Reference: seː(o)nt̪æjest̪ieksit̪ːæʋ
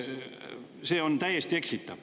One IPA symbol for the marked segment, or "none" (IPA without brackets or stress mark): o